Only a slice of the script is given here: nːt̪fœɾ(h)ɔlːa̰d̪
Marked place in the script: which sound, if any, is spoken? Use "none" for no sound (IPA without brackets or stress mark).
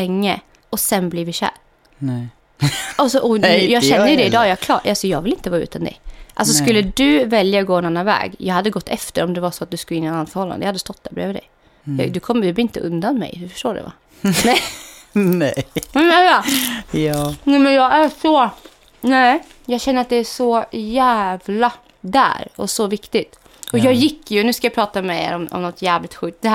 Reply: h